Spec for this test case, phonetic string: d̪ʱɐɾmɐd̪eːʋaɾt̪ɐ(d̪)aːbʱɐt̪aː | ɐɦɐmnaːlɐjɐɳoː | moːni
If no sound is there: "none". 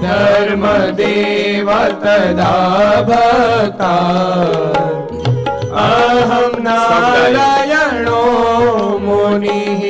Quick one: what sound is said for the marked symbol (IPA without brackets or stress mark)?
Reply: d̪